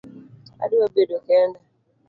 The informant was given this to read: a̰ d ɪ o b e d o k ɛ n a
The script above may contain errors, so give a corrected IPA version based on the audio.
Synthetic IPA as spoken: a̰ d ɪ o b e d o k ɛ n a